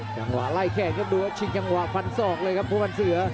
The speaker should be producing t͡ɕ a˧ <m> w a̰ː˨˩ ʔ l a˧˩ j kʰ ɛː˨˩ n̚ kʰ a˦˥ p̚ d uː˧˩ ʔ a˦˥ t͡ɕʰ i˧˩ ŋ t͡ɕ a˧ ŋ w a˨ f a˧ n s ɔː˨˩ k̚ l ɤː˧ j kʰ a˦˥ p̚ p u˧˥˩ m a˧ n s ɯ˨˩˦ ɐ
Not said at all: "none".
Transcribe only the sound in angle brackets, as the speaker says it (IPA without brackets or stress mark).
ŋ